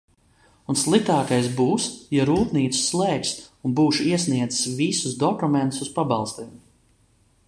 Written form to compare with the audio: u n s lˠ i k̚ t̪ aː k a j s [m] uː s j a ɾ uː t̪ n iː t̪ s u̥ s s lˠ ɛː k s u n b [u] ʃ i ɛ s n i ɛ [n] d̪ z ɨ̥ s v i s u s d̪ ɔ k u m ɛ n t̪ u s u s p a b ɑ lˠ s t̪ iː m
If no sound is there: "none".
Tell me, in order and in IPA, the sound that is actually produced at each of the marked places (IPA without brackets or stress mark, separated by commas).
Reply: b, uː, none